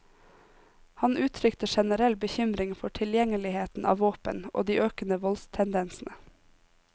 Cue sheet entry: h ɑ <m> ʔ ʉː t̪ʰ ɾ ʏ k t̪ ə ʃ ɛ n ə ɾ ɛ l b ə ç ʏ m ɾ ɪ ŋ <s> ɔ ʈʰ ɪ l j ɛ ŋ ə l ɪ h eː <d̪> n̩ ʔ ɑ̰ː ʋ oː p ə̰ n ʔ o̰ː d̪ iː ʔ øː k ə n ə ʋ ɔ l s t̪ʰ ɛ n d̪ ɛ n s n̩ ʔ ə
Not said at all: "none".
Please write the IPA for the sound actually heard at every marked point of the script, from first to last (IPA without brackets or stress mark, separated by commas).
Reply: n, f, t̪